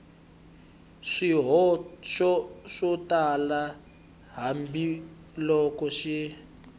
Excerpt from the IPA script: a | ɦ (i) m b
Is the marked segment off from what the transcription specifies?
yes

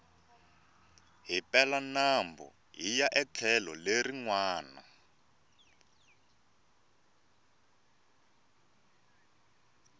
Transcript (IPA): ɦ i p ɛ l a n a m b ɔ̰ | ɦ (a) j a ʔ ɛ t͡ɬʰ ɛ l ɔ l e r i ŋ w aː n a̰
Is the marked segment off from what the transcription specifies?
yes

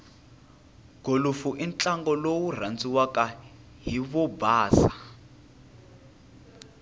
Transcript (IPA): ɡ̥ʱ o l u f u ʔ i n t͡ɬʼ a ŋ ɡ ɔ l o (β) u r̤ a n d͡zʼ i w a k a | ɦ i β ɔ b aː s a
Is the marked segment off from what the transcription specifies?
yes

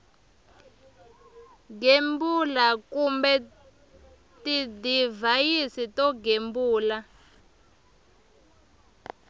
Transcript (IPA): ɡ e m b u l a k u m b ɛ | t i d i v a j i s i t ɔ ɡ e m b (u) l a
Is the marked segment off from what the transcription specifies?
yes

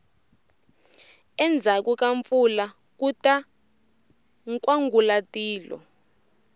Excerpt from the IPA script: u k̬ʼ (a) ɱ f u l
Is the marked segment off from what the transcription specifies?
no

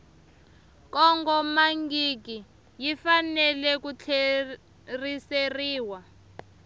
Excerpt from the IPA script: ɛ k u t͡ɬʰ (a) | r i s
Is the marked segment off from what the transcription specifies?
yes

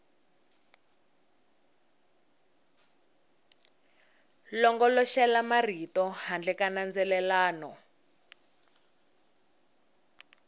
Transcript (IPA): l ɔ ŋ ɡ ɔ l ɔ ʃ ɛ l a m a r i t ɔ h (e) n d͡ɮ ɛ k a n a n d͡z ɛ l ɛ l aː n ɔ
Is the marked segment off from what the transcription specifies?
yes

